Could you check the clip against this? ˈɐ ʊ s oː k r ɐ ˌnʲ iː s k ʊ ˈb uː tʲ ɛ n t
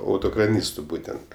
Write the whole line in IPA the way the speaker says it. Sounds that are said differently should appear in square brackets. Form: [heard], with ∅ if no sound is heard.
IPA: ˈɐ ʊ [t] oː k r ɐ ˌnʲ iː s [t] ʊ ˈb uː tʲ ɛ n t